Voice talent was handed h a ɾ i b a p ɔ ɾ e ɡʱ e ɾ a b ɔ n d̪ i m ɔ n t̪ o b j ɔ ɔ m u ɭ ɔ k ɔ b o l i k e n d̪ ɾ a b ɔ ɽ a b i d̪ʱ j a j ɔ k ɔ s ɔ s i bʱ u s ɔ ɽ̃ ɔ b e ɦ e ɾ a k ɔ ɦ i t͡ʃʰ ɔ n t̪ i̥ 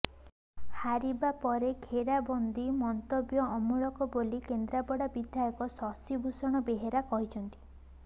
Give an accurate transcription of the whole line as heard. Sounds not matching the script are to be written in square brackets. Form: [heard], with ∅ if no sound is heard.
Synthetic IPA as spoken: h a ɾ i b a p ɔ ɾ e ɡʱ e ɾ a b ɔ n d̪ i m ɔ n t̪ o b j ɔ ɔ m u ɭ ɔ k ɔ b o l i k e n d̪ ɾ a b ɔ ɽ a b i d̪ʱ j a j ɔ k ɔ s ɔ s i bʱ u s ɔ ɽ̃ ɔ b e ɦ e ɾ a k ɔ ɦ i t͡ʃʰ ɔ n t̪ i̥